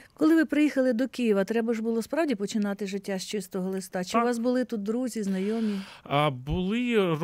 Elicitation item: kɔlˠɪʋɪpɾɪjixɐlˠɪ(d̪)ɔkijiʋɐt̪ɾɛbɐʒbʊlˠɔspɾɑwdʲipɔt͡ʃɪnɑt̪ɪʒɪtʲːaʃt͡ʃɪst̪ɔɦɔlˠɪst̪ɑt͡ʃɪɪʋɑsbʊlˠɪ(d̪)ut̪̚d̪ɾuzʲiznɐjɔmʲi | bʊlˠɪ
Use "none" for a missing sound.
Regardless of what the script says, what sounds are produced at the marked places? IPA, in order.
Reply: d̪, t̪

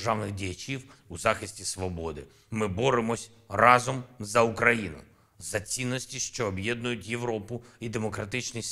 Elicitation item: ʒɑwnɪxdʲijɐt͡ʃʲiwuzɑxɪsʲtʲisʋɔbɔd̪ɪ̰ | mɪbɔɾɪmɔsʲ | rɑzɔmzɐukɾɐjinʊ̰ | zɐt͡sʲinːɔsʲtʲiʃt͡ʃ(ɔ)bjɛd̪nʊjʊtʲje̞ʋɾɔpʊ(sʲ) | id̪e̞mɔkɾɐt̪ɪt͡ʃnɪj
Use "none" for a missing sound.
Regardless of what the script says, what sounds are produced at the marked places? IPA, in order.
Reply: ɔː, none

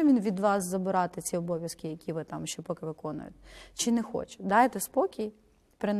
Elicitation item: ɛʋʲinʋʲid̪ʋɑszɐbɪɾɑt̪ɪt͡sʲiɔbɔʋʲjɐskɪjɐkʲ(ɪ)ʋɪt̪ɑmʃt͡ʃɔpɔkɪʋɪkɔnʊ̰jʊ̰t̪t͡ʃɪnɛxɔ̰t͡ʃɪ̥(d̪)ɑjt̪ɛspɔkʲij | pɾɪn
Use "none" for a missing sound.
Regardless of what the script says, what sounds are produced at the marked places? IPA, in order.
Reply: i, d̪

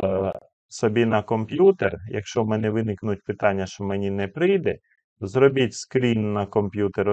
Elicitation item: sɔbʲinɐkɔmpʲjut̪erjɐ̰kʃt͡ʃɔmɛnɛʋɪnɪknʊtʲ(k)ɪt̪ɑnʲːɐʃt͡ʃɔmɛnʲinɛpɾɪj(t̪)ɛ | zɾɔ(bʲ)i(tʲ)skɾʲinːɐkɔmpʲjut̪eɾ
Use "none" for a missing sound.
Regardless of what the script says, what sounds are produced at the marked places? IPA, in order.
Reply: p, d̪, bʲ, tʲ

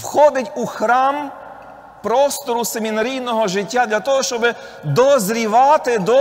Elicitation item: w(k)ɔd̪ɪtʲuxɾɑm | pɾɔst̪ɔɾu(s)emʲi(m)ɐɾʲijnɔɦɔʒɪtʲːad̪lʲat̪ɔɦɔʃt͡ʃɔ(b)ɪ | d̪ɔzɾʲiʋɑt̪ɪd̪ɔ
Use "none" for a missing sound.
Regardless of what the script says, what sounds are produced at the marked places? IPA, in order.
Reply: x, s, n, b

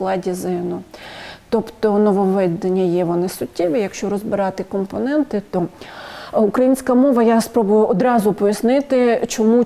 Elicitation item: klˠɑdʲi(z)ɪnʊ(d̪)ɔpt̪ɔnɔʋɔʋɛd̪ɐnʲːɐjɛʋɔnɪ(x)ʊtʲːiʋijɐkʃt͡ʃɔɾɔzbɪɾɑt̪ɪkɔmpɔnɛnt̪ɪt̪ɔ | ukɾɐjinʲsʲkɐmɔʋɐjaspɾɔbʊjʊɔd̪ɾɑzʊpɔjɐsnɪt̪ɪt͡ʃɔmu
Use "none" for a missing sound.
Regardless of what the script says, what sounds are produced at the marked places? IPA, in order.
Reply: z, t̪, s

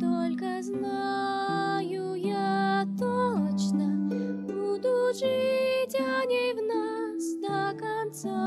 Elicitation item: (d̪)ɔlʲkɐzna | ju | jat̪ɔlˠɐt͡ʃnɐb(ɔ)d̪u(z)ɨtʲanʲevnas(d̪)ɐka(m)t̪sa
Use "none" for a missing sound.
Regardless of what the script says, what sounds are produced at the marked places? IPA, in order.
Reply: t̪, u, ʐ, d̪, n

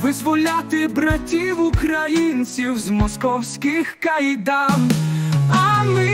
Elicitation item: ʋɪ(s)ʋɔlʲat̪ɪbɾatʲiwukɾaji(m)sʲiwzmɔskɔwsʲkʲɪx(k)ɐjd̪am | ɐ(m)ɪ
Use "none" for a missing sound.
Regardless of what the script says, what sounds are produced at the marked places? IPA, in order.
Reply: z, n, k, m

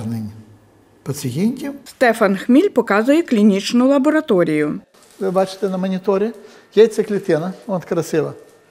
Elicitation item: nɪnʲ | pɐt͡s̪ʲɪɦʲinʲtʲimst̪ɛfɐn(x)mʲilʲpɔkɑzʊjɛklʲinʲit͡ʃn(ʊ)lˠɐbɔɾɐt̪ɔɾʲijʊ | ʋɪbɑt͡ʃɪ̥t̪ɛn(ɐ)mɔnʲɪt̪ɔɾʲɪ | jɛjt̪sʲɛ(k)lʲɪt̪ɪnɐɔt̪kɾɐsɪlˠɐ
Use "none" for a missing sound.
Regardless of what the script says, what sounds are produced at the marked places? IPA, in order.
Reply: x, ʊ, ɐ, k

